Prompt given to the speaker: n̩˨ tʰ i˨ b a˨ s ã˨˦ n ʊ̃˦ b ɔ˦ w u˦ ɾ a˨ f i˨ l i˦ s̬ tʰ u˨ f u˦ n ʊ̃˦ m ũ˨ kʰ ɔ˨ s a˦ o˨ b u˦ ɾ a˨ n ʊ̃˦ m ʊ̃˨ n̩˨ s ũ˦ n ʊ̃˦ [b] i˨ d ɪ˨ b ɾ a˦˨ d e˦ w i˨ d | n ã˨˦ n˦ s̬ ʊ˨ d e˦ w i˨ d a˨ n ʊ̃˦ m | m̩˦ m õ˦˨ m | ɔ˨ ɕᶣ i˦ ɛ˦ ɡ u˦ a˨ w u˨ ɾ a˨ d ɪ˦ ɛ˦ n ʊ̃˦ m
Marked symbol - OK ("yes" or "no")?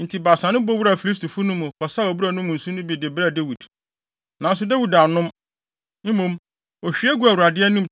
yes